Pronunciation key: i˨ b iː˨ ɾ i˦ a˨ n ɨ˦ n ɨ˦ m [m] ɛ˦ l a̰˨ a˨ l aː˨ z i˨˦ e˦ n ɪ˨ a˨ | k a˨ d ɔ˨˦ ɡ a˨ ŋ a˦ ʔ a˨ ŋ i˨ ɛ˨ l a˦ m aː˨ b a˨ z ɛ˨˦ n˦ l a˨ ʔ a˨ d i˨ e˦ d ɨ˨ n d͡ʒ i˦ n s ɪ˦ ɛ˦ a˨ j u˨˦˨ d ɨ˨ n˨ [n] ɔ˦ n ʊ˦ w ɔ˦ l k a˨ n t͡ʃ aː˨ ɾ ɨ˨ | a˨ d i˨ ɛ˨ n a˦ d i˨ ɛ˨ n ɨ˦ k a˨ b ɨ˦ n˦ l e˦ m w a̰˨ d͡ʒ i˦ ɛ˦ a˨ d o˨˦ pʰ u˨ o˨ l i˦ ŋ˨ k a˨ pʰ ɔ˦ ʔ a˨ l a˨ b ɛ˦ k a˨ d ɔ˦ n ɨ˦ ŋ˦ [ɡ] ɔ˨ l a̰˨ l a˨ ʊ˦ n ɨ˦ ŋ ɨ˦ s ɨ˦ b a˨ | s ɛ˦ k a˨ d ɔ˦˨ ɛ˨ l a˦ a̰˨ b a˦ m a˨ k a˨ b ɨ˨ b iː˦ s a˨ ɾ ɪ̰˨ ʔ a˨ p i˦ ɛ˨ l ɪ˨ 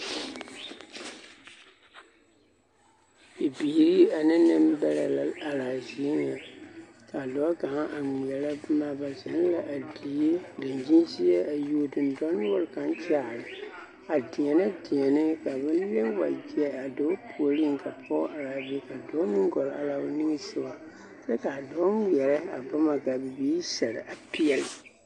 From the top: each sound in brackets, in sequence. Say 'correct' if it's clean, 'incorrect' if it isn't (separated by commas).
incorrect, incorrect, correct